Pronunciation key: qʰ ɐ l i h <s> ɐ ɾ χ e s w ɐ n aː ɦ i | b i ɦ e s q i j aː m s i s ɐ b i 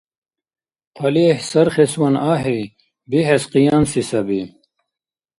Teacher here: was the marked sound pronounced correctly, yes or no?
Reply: yes